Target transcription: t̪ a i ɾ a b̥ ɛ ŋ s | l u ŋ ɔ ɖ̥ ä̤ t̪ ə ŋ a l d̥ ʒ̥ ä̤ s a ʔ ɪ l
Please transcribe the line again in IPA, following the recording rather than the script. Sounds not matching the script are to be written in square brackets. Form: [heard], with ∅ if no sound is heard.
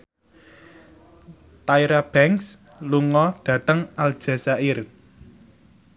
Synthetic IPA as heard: t̪ a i ɾ a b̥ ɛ ŋ s | l u ŋ ɔ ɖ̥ ä̤ t̪ ə ŋ a l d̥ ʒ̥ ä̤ s a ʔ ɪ [r]